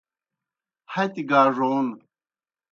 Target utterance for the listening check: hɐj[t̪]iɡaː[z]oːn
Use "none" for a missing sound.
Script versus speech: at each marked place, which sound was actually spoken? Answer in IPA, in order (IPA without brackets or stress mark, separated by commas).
t̪, ʐ